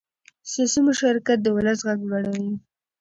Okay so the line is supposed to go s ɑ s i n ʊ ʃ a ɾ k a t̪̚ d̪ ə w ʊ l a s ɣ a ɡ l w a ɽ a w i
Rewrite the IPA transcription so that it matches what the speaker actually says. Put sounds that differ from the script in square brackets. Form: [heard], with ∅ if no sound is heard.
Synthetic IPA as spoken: s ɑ s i [m] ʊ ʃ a ɾ k a t̪̚ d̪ ə w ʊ l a s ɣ a ɡ l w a ɽ a w i